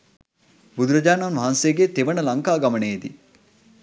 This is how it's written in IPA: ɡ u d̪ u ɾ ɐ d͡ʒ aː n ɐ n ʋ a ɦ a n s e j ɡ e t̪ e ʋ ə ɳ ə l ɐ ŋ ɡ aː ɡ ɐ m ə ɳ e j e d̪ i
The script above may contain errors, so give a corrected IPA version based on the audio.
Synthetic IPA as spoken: b u d̪ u ɾ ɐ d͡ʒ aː n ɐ n ʋ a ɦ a n s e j ɡ e t̪ e ʋ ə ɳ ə l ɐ ŋ k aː ɡ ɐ m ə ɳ e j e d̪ i